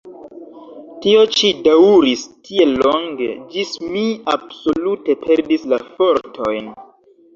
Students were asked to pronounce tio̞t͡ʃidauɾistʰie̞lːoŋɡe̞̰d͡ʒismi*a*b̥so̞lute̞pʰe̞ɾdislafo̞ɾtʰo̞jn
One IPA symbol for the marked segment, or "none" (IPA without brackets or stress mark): a